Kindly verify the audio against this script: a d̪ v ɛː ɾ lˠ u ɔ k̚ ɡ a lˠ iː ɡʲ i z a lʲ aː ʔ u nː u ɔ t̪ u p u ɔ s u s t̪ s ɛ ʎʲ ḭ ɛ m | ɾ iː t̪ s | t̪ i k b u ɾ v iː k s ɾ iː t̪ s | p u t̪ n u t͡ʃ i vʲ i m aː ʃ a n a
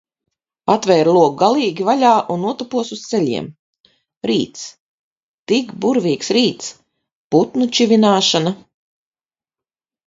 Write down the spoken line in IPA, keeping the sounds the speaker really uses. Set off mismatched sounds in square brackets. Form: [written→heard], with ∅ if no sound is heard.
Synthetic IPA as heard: a [d̪→t̪] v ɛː ɾ lˠ u ɔ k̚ ɡ a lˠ iː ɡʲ i [z→v] a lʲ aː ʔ u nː u ɔ t̪ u p u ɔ s u s t̪ s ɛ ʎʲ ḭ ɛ m | ɾ iː t̪ s | t̪ i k b u ɾ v iː k s ɾ iː t̪ s | p u t̪ n u t͡ʃ i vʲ i [m→n] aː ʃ a n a